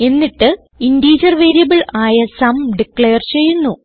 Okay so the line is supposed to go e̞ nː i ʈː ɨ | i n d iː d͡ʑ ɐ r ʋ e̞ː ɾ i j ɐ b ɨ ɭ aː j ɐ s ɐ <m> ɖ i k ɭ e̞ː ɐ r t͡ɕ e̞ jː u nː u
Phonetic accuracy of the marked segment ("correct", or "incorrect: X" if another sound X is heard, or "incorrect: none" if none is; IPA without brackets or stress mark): correct